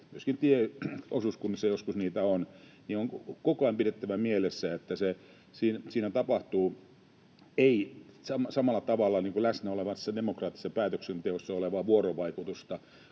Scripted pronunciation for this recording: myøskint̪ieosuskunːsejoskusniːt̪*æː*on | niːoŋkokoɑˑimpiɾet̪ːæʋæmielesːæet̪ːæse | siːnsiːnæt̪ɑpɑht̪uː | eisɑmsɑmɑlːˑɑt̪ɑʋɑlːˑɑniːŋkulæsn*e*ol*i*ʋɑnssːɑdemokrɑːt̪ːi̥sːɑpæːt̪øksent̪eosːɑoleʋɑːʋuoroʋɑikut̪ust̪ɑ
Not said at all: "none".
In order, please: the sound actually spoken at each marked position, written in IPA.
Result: æ, æ, e

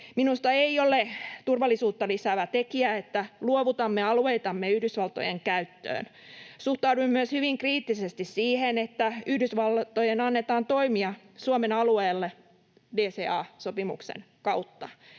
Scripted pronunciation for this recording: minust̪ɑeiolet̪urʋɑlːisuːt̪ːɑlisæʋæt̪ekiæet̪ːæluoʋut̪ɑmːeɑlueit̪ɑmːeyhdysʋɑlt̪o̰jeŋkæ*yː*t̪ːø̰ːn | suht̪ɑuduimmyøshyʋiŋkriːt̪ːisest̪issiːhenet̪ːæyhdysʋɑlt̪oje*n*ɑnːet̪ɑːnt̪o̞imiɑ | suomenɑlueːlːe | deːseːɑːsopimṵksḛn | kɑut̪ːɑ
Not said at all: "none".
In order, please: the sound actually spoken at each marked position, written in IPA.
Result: y, n

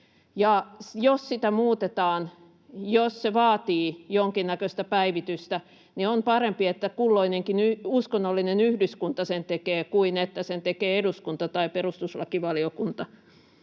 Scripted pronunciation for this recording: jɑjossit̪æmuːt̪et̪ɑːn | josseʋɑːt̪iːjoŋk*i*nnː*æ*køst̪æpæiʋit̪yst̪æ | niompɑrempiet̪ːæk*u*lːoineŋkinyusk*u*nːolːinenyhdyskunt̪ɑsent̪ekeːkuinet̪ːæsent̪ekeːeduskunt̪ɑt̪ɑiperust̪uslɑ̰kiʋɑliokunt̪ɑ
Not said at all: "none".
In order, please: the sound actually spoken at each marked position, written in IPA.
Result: i, æ, u, o

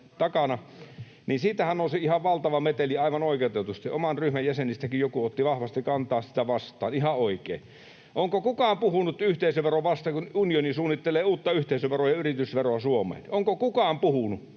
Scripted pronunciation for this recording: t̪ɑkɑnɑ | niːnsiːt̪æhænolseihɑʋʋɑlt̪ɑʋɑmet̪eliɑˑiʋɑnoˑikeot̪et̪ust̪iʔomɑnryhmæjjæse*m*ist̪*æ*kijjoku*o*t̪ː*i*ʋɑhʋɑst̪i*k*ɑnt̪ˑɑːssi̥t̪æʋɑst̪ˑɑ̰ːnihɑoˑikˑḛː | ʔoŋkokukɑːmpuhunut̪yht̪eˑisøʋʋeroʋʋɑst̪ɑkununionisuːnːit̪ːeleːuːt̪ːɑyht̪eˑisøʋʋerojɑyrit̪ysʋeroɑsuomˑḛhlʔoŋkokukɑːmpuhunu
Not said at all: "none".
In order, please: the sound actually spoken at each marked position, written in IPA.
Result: n, æ, o, i, k

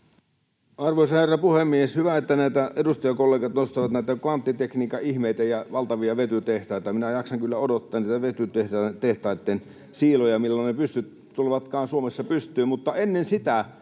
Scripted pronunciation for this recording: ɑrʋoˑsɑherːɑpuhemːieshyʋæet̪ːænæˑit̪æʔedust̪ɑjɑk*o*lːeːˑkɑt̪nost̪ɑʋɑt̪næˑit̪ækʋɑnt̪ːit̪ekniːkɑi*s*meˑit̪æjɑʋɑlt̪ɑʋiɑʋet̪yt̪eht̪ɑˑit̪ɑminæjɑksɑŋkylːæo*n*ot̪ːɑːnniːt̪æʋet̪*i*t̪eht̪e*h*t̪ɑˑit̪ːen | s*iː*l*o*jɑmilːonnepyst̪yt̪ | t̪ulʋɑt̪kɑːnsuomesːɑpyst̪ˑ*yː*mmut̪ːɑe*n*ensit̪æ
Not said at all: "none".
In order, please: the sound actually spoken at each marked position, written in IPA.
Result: o, h, d, y, h, iː, o, yː, nː

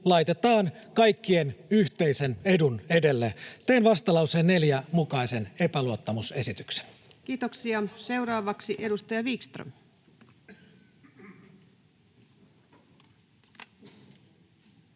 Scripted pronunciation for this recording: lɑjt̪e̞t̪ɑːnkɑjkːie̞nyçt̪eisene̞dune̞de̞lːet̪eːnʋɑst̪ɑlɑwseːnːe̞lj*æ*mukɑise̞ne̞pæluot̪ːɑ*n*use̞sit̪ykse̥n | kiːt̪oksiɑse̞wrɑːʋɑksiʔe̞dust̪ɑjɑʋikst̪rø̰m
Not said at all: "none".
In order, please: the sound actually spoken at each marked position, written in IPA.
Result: æ, m

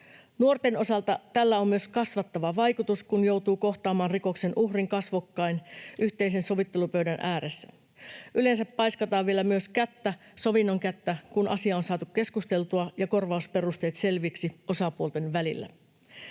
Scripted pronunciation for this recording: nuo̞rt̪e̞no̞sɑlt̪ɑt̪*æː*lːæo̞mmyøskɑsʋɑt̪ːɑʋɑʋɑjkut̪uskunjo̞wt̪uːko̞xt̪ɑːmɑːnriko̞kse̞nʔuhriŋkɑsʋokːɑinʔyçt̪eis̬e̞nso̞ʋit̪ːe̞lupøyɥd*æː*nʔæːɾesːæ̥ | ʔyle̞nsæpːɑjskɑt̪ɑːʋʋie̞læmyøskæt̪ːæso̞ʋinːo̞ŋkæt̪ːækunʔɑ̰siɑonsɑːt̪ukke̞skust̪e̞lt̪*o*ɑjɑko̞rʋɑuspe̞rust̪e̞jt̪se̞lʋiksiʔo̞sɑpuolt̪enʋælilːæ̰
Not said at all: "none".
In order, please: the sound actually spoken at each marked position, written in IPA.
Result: æ, æ, u

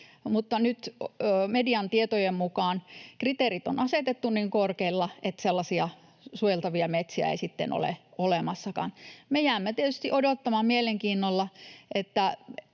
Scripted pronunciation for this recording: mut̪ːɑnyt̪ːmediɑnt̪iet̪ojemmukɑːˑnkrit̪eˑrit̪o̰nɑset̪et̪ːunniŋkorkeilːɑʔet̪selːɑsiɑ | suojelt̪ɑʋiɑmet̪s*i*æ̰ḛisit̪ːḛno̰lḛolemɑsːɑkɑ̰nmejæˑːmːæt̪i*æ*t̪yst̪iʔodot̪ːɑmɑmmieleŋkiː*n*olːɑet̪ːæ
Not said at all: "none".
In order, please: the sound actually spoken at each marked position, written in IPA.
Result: i, e, nː

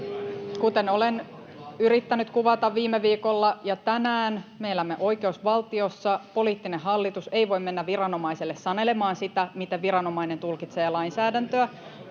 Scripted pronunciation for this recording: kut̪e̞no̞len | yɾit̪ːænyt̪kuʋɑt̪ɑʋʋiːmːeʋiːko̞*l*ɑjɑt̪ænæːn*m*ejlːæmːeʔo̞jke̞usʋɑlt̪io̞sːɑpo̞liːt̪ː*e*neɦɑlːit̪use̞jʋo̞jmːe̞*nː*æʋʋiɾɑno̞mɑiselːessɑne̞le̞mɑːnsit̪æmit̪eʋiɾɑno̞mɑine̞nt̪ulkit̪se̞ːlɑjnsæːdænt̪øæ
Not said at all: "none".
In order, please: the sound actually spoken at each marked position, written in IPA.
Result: lː, m, i, nː

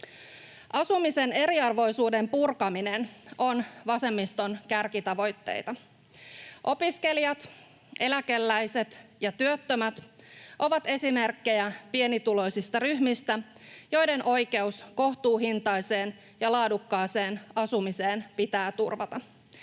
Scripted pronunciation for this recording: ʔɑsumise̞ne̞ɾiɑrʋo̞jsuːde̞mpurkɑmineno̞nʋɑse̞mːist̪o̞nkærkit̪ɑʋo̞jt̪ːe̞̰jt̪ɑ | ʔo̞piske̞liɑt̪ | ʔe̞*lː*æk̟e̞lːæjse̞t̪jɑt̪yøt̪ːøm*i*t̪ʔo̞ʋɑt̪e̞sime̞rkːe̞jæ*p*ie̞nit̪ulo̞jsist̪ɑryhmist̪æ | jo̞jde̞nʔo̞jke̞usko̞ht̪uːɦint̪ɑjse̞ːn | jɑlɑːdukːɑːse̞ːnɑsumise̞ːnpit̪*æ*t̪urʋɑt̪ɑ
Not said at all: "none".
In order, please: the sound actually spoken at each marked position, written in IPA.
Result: l, æ, p, æː

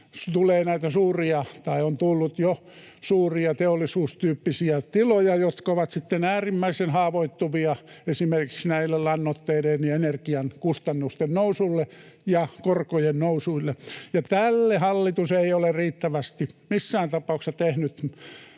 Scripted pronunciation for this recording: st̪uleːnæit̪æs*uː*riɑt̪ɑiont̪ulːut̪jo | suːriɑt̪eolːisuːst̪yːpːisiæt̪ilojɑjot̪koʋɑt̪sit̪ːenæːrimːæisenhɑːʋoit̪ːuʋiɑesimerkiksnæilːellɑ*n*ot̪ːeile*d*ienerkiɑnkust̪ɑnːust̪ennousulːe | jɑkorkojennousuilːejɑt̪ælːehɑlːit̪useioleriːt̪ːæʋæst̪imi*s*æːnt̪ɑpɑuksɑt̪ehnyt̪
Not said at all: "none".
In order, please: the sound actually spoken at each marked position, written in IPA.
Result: uː, nː, n, sː

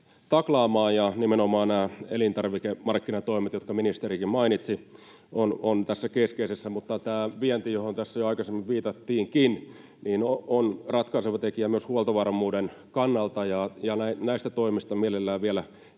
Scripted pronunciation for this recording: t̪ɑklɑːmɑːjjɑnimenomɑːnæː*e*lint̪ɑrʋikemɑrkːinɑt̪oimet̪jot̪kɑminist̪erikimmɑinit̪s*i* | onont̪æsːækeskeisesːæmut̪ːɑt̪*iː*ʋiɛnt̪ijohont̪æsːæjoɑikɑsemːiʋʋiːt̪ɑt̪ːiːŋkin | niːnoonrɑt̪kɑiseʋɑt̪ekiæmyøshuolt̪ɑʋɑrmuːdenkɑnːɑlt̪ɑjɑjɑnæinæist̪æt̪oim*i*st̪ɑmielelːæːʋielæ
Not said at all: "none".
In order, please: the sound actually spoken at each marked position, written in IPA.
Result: e, i, æː, i

